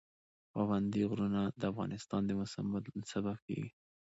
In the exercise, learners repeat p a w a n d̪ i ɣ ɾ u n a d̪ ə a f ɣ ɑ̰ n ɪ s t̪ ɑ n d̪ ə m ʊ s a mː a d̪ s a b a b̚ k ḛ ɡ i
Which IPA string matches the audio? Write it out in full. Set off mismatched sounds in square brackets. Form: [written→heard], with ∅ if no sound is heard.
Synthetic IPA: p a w a n d̪ i ɣ ɾ u n a d̪ ə a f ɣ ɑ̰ n ɪ s t̪ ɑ n d̪ ə m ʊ s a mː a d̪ s a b a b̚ k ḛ ɡ i

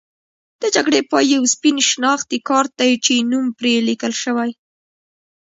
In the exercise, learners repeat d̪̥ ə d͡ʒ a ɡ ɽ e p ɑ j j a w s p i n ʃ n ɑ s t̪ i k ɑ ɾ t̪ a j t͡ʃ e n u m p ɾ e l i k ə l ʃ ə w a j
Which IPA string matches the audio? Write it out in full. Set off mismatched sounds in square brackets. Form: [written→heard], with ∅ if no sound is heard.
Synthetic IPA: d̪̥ ə d͡ʒ a ɡ ɽ e p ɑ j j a w s p i n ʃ n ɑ [s→x] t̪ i k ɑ ɾ t̪ a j t͡ʃ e n u m p ɾ e l i k ə l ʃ ə w a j

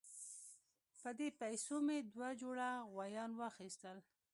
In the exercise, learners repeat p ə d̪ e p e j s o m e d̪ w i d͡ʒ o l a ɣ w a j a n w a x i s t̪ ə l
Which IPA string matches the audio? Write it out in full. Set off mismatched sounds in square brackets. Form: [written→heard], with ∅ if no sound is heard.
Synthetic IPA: p ə d̪ e p [e→a] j s o m e d̪ w [i→a] d͡ʒ o [l→ɽ] a ɣ w a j [a→ɑ] n w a x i s t̪ ə l

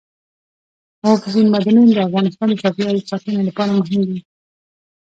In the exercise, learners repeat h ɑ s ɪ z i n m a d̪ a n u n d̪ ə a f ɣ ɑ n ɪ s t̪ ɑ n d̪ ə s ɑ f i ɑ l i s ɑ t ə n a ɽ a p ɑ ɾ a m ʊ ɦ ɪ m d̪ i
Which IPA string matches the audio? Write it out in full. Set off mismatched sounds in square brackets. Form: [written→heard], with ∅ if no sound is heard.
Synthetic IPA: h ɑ [s→f] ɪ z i n m a d̪ a n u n d̪ ə a f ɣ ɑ n ɪ s t̪ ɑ n d̪ ə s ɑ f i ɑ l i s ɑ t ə n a [ɽ→l] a p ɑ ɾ a m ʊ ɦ ɪ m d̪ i

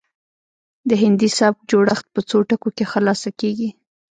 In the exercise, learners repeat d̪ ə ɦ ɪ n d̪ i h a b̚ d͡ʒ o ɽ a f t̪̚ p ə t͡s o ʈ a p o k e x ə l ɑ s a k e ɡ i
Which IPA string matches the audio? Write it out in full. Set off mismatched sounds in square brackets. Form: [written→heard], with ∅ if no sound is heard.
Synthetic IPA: d̪ ə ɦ ɪ n d̪ i [h→s] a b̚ d͡ʒ o ɽ a [f→x] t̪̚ p ə t͡s o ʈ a [p→k] o k e x ə l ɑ s a k e ɡ i

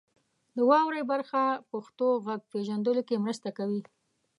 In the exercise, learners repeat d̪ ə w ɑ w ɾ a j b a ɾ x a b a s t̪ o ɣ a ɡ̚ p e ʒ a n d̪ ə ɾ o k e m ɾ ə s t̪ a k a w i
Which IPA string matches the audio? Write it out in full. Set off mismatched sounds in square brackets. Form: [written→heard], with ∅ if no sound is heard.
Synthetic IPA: d̪ ə w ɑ w ɾ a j b a ɾ x a [b→p] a [s→x] t̪ o ɣ a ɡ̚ p e ʒ a n d̪ ə [ɾ→l] o k e m ɾ ə s t̪ a k a w i

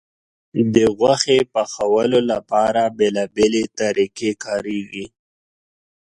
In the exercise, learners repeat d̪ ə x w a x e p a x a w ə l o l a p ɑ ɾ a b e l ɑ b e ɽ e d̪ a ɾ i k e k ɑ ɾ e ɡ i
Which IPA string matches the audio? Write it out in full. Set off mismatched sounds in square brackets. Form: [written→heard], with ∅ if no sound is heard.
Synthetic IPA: d̪ ə [x→ɣ] w a x e p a x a w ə l o l a p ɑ ɾ a b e l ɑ b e [ɽ→l] e [d̪→t̪] a ɾ i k e k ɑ ɾ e ɡ i

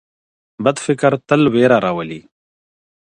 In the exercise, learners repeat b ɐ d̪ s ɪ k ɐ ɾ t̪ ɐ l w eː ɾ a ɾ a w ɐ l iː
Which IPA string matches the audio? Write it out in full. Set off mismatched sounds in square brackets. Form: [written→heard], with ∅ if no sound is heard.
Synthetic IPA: b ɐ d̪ [s→f] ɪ k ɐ ɾ t̪ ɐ l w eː ɾ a ɾ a w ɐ l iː

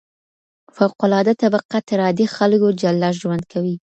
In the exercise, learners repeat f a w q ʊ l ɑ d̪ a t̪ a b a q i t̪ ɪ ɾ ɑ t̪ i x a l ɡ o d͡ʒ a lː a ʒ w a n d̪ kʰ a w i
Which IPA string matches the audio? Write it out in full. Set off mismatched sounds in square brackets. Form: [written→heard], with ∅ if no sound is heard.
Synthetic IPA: f a w q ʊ l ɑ d̪ a t̪ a b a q [i→a] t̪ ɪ ɾ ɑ [t̪→d̪] i x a l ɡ o d͡ʒ a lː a ʒ w a n d̪ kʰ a w i

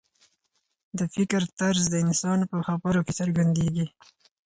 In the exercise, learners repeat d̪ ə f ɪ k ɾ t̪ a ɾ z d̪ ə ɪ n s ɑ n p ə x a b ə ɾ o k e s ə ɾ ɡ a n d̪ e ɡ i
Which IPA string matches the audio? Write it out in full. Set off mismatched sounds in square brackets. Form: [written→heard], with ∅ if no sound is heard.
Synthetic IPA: d̪ ə f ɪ k ɾ t̪ a ɾ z d̪ ə ɪ n s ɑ n p ə x a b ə ɾ o k e s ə ɾ ɡ a n d̪ e ɡ i

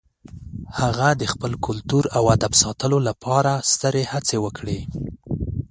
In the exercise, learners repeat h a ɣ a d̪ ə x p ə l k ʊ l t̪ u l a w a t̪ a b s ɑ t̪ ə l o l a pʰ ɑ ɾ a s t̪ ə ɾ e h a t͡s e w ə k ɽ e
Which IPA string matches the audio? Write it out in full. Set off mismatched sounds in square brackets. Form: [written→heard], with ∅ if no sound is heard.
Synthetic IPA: h a ɣ a d̪ ə x p ə l k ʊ l t̪ u [l→ɾ] a w a [t̪→d̪] a b s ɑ t̪ ə l o l a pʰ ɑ ɾ a s t̪ ə ɾ e h a t͡s e w ə k ɽ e

